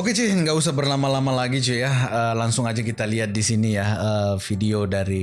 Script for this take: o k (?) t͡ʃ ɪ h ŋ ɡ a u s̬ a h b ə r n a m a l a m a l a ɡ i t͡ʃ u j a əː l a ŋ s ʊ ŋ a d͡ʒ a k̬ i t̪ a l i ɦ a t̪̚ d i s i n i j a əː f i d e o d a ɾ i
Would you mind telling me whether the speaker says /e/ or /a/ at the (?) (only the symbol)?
e